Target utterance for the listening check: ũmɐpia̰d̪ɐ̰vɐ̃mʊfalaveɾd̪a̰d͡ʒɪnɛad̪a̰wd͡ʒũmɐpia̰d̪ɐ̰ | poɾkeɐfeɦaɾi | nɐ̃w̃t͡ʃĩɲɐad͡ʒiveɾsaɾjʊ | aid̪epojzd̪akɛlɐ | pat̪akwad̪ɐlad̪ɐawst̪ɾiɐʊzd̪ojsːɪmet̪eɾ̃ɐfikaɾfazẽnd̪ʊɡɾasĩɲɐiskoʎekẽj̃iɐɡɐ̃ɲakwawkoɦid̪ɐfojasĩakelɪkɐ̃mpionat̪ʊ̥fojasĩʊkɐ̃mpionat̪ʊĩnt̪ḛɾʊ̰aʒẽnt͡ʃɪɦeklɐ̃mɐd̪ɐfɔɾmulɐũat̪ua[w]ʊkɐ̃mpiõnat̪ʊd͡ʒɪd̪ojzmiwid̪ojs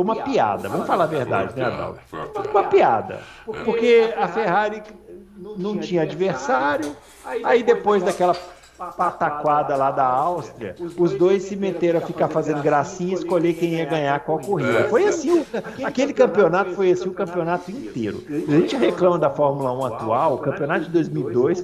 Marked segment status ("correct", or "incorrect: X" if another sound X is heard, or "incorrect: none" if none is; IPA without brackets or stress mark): correct